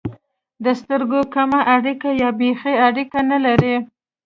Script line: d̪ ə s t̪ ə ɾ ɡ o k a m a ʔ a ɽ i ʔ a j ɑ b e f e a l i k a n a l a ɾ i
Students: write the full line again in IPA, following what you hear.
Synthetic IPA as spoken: d̪ ə s t̪ ə ɾ ɡ o k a m a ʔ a ɽ i k a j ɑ b e x e a ɽ i k a n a l a ɾ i

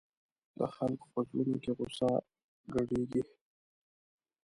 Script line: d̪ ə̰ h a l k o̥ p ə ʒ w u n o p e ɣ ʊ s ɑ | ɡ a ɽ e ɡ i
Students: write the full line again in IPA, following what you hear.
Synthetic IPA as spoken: d̪ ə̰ x a l k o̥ p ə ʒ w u n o k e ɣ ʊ s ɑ | ɡ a ɽ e ɡ i

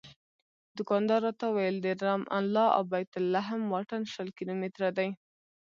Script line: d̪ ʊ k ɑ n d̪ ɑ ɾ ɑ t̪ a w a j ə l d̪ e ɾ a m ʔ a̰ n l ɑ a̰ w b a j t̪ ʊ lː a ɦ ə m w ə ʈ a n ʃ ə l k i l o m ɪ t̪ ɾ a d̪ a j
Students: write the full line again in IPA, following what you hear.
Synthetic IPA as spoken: d̪ ʊ k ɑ n d̪ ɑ ɾ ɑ t̪ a w a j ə l d̪ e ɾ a m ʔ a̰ n l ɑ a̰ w b a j t̪ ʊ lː a ɦ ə m w ɑ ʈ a n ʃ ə l k i l o m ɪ t̪ ɾ a d̪ a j

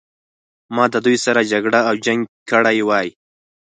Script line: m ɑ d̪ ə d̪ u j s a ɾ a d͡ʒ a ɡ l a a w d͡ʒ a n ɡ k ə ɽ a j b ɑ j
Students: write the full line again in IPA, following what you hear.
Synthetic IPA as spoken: m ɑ d̪ ə d̪ u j s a ɾ a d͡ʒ a ɡ ɽ a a w d͡ʒ a ŋ ɡ k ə ɽ a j w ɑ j

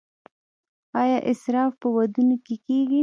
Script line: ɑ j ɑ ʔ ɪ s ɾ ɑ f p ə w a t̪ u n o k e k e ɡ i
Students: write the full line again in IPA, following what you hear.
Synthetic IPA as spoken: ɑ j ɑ ʔ ɪ s ɾ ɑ f p ə w a d̪ u n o k e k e ɡ i

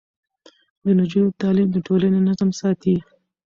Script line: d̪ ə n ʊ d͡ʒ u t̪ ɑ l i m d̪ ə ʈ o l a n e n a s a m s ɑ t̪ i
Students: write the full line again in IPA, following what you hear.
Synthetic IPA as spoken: d̪ ə n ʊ d͡ʒ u t̪ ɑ l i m d̪ ə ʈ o l a n e n a z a m s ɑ t̪ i

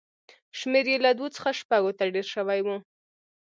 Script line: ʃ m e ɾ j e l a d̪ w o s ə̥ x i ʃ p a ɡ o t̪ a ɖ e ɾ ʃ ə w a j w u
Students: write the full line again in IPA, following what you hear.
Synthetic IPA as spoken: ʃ m e ɾ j e l a d̪ w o t͡s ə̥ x a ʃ p a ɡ o t̪ a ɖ e ɾ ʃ ə w a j w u

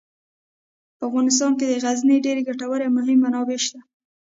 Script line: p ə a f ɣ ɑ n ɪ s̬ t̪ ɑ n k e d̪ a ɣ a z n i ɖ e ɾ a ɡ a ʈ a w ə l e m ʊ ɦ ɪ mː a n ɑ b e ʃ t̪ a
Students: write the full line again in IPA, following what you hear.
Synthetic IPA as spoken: p ə a f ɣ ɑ n ɪ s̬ t̪ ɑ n k e d̪ ə ɣ a z n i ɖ e ɾ e ɡ a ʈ a w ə ɾ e m ʊ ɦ ɪ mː a n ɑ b e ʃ t̪ a

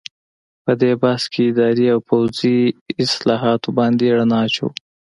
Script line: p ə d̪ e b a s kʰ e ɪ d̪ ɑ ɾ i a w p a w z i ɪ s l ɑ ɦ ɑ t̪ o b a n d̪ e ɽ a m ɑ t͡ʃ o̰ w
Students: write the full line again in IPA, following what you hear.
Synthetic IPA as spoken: p ə d̪ e b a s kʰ e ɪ d̪ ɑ ɾ i a w p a w z i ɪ s l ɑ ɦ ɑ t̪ o b ɑ n d̪ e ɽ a n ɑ t͡ʃ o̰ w

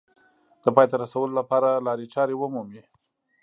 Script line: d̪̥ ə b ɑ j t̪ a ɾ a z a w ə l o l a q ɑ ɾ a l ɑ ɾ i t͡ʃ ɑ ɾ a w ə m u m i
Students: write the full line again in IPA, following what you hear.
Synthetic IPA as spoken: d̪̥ ə p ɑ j t̪ a ɾ a s a w ə l o l a p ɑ ɾ a l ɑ ɾ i t͡ʃ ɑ ɾ e w ə m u m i

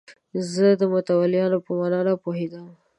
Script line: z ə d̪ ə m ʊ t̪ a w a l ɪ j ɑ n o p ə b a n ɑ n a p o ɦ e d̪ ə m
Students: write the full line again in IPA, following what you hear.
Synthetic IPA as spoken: z ə d̪ ə m ʊ t̪ a w a l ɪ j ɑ n o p ə m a n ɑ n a p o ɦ e d̪ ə m

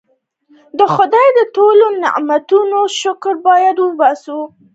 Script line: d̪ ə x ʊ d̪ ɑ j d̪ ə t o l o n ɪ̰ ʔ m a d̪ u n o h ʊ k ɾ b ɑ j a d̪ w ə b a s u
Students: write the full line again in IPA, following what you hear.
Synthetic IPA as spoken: d̪ ə x ʊ d̪ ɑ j d̪ ə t o l o n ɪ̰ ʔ m a t̪ u n o ʃ ʊ k ɾ b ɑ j a d̪ w ə b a s u

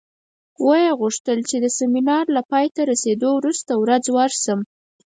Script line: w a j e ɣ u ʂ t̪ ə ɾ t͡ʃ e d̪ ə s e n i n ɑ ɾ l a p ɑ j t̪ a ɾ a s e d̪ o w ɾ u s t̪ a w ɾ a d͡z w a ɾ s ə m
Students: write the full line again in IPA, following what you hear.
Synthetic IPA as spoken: w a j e ɣ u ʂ t̪ ə l t͡ʃ e d̪ ə s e m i n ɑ ɾ l a p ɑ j t̪ a ɾ a s e d̪ o w ɾ u s t̪ a w ɾ a d͡z w a ɾ s ə m

